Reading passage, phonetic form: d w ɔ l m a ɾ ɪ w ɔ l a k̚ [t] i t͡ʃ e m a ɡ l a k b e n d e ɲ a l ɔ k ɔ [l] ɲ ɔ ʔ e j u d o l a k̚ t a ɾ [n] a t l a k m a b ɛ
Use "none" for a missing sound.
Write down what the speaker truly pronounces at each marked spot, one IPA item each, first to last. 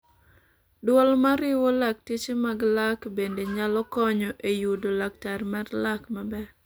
t, none, m

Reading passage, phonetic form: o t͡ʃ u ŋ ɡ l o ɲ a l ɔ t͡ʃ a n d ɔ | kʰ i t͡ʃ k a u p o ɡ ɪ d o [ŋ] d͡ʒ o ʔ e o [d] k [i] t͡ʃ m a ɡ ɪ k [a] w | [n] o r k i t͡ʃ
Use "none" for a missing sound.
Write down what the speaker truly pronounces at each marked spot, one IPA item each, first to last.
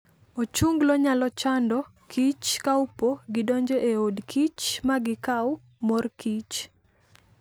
ɲ, d, i, a, m

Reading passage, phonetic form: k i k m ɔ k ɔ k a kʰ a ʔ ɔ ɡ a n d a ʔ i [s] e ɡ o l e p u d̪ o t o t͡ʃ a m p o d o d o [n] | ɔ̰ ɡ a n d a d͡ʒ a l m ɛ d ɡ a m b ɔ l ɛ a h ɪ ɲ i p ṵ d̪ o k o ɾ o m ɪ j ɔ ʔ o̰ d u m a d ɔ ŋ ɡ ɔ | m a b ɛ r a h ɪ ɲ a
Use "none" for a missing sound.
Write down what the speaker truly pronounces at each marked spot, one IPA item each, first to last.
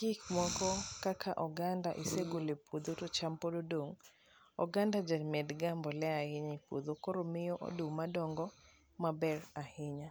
s, ŋ

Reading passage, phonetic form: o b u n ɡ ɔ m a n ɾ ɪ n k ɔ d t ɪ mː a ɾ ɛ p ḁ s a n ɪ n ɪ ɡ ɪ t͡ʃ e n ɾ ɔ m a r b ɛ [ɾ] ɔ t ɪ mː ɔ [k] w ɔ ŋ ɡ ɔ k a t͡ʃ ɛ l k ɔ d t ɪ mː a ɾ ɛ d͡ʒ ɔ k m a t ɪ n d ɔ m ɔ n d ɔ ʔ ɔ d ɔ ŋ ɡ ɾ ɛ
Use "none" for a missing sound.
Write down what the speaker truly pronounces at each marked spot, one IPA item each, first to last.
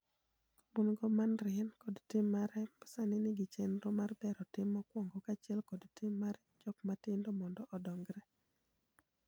ɾ, k

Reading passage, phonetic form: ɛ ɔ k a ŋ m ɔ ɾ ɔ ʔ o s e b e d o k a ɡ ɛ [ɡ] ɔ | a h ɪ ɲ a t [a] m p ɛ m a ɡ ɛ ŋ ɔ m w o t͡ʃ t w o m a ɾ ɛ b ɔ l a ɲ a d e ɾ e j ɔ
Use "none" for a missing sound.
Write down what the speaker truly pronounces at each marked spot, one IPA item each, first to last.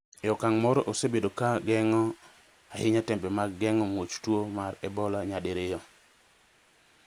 ŋ, ɛ

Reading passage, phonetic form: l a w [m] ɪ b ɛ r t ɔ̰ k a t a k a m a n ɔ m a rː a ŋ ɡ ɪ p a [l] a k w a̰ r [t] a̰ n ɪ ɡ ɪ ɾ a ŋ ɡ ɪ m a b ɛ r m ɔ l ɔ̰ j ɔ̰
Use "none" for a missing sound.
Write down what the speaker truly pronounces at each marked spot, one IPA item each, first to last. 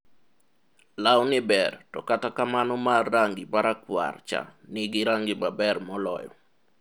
n, ɾ, t͡ʃ

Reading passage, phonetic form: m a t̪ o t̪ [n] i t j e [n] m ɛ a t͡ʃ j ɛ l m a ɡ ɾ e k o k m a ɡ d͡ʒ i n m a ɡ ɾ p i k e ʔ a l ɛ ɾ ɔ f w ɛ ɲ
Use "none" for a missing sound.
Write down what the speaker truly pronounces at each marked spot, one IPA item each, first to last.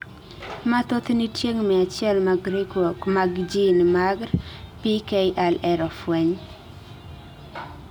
n, ŋ

